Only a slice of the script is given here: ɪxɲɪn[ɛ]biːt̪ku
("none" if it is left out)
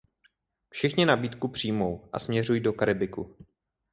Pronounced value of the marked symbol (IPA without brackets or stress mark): a